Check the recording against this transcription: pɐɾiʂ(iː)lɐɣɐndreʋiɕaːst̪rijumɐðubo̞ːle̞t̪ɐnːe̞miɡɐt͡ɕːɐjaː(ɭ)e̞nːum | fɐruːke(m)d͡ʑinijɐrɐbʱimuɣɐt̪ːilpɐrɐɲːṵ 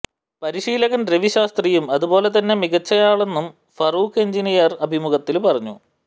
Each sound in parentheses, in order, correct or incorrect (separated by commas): correct, correct, incorrect